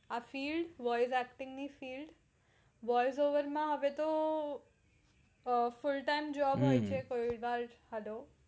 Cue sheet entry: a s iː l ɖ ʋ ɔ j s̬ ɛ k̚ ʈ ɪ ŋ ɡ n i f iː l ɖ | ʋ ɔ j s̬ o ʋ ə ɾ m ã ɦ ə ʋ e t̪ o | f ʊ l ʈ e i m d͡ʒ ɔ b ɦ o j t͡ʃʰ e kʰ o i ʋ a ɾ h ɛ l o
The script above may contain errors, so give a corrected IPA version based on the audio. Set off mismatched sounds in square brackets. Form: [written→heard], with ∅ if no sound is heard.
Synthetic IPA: a [s→f] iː l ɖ ʋ ɔ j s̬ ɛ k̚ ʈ ɪ ŋ ɡ n i f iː l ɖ | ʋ ɔ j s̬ o ʋ ə ɾ m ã ɦ ə ʋ e t̪ o | f ʊ l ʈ [e→a] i m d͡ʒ ɔ b ɦ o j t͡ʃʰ e [kʰ→k] o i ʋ a ɾ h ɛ l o